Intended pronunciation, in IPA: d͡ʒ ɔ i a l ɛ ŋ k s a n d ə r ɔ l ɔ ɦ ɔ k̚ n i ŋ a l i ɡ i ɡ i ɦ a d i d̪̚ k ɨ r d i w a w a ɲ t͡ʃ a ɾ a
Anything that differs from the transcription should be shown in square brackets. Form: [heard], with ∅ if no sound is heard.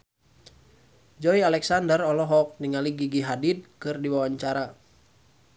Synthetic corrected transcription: d͡ʒ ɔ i a l ɛ [∅] k s a n d ə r ɔ l ɔ ɦ ɔ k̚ n i ŋ a l i ɡ i ɡ i ɦ a d i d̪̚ k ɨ r d i w a w a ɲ t͡ʃ a ɾ a